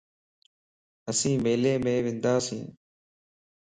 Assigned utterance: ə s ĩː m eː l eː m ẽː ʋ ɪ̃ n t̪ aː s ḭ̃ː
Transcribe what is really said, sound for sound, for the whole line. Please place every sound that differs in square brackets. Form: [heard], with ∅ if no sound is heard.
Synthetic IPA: ə s ĩː m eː l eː m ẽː ʋ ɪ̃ n [d̪] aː s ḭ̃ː